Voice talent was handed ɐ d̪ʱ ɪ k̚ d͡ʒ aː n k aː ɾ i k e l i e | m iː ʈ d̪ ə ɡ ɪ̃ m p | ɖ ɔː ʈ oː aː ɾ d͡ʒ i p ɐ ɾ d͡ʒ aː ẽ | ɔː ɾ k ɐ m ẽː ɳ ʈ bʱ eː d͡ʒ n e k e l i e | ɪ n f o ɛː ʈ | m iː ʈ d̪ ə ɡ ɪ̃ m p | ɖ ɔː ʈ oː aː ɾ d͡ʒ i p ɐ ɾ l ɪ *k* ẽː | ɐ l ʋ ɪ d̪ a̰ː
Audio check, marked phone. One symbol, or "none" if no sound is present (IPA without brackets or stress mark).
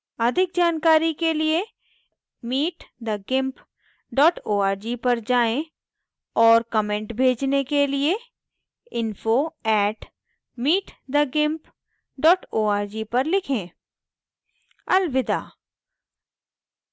kʰ